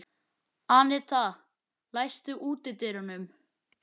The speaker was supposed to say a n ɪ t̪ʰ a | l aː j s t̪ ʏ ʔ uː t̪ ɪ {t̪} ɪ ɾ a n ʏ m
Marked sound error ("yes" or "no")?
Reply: no